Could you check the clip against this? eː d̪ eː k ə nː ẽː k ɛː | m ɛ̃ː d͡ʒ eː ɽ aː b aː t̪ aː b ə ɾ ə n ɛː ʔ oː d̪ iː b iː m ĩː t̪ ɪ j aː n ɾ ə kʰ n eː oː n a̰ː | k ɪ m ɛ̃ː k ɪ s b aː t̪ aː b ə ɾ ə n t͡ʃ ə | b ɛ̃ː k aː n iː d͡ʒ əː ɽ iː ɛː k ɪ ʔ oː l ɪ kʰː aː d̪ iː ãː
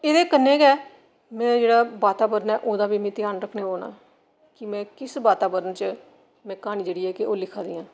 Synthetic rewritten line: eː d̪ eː k ə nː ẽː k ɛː | m ɛ̃ː d͡ʒ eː ɽ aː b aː t̪ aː b ə ɾ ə n ɛː ʔ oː d̪ aː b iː m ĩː t̪ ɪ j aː n ɾ ə kʰ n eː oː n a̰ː | k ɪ m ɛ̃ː k ɪ s b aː t̪ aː b ə ɾ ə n t͡ʃ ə | m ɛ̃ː k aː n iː d͡ʒ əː ɽ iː ɛː k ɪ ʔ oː l ɪ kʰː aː d̪ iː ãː

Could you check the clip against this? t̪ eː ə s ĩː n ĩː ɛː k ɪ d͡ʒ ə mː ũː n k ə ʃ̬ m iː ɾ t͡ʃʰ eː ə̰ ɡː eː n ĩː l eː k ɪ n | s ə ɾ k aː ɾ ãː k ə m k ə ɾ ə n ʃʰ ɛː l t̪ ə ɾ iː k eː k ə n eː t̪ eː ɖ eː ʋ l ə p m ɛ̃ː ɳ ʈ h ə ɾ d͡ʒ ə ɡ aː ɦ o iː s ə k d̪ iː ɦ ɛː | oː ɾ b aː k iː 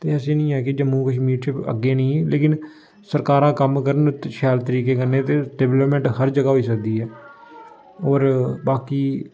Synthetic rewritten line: t̪ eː ə s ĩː n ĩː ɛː k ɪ d͡ʒ ə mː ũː k ə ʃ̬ m iː ɾ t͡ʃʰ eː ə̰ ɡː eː n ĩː l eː k ɪ n | s ə ɾ k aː ɾ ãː k ə m k ə ɾ ə n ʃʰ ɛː l t̪ ə ɾ iː k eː k ə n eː t̪ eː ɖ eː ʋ l ə p m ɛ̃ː ɳ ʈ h ə ɾ d͡ʒ ə ɡ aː ɦ o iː s ə k d̪ iː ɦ ɛː | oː ɾ b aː k iː

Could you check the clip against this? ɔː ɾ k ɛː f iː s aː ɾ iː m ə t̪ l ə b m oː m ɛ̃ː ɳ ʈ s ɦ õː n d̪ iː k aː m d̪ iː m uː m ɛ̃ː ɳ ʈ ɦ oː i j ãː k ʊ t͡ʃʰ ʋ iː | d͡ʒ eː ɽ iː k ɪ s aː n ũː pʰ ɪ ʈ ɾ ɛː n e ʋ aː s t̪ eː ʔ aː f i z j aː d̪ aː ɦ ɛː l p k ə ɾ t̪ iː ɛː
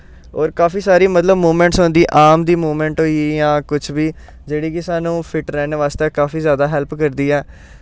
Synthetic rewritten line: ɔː ɾ k aː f iː s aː ɾ iː m ə t̪ l ə b m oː m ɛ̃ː ɳ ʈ s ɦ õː n d̪ iː ʔ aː m d̪ iː m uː m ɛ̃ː ɳ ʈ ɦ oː i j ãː k ʊ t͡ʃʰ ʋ iː | d͡ʒ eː ɽ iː k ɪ s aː n ũː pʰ ɪ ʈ ɾ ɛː n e ʋ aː s t̪ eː k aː f iː z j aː d̪ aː ɦ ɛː l p k ə ɾ d̪ iː ɛː

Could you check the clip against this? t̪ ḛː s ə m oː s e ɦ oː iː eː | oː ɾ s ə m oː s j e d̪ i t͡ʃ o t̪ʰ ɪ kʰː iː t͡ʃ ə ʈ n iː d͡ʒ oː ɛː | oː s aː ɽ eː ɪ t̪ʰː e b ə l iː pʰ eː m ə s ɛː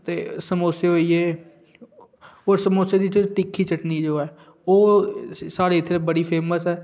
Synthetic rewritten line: t̪ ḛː s ə m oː s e ɦ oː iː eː | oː ɾ s ə m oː s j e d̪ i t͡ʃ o t̪ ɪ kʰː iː t͡ʃ ə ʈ n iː d͡ʒ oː ɛː | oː s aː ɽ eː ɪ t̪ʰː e b ə ɽ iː pʰ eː m ə s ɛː

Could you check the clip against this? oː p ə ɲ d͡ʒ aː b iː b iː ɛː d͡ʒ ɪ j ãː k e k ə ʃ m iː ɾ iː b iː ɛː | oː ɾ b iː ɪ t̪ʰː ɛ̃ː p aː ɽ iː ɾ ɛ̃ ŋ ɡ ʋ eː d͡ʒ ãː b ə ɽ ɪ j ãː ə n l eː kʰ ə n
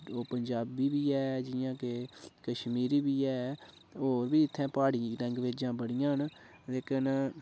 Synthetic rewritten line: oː p ə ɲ d͡ʒ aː b iː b iː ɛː d͡ʒ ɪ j ãː k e k ə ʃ m iː ɾ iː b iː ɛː | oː ɾ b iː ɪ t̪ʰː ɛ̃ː p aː ɽ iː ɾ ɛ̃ ŋ ɡ ʋ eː d͡ʒ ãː b ə ɽ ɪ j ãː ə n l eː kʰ ə n

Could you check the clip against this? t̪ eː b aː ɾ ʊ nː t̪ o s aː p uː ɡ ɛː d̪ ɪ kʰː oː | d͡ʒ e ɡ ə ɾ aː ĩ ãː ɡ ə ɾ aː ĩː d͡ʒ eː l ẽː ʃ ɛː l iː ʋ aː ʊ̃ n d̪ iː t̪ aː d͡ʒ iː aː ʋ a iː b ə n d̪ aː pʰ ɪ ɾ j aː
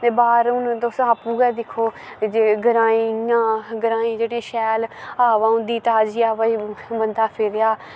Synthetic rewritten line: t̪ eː b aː ɾ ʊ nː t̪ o s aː p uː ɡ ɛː d̪ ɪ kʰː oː | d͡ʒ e ɡ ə ɾ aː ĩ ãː ɡ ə ɾ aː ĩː d͡ʒ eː ɽ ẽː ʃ ɛː l aː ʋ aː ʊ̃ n d̪ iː t̪ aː d͡ʒ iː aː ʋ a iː b ə n d̪ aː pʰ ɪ ɾ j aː

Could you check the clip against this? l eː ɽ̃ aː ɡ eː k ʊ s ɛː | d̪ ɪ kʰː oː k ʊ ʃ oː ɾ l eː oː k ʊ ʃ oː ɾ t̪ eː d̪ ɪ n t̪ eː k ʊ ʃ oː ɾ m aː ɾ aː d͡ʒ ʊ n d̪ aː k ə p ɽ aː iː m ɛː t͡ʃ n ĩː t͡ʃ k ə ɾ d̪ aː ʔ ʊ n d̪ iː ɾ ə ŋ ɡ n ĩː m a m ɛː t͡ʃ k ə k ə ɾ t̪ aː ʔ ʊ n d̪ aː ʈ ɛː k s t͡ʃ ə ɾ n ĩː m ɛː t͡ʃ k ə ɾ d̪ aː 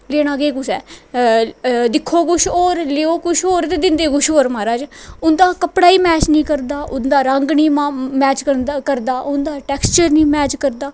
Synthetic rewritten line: l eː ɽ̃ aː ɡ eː k ʊ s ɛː | d̪ ɪ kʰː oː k ʊ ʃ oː ɾ l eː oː k ʊ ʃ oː ɾ t̪ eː d̪ ɪ n d̪ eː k ʊ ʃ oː ɾ m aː ɾ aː d͡ʒ ʊ n d̪ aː k ə p ɽ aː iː m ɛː t͡ʃ n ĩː k ə ɾ d̪ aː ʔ ʊ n d̪ aː ɾ ə ŋ ɡ n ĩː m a m ɛː t͡ʃ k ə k ə ɾ d̪ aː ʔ ʊ n d̪ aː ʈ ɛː k s t͡ʃ ə ɾ n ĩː m ɛː t͡ʃ k ə ɾ d̪ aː

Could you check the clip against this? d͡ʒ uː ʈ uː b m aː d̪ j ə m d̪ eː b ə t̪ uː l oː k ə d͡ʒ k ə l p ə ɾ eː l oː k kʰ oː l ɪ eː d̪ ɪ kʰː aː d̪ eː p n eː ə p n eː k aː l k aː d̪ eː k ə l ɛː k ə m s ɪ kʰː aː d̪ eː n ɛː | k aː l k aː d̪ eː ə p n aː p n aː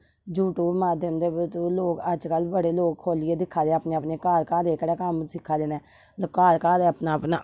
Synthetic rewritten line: d͡ʒ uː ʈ uː b m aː d̪ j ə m d̪ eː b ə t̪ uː l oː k ə d͡ʒ k ə l b ə ɽ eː l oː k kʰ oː l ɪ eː d̪ ɪ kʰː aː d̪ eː p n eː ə p n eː k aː l k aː d̪ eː k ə ɽ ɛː k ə m s ɪ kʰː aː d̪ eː n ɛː | k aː l k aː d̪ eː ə p n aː p n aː

